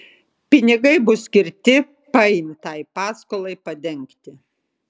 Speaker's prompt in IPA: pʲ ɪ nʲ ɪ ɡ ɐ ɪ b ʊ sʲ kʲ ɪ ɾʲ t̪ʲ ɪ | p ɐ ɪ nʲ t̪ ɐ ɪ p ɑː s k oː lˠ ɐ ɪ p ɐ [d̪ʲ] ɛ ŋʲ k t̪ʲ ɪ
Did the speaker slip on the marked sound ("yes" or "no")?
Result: no